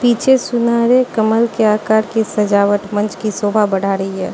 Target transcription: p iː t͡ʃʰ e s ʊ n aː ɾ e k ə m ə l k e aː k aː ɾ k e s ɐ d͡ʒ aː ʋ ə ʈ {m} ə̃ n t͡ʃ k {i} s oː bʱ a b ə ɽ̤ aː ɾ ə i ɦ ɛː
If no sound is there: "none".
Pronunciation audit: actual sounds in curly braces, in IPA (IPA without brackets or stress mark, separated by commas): m, i